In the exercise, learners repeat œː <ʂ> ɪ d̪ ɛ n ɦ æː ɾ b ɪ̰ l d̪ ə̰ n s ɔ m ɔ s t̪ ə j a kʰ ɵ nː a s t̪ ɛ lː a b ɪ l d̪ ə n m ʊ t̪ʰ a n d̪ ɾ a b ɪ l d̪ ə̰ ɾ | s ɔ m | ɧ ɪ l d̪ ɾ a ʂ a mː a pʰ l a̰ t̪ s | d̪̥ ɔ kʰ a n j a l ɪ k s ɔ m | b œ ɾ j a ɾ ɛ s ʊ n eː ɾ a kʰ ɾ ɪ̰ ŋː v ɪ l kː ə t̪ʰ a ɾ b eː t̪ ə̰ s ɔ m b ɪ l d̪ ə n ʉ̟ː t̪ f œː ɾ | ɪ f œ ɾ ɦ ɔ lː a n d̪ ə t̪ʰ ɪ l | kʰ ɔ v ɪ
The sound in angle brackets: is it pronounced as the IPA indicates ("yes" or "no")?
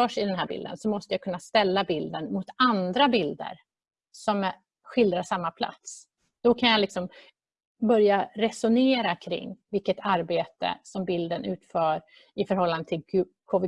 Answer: yes